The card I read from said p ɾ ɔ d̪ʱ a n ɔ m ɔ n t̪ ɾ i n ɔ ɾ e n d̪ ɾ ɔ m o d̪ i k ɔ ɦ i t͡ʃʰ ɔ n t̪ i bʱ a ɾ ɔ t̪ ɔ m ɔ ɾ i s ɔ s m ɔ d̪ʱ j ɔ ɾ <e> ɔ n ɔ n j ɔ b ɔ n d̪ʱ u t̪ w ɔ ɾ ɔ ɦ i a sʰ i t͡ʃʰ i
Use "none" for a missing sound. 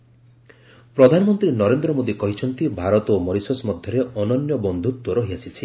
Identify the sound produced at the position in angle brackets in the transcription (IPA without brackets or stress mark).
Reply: e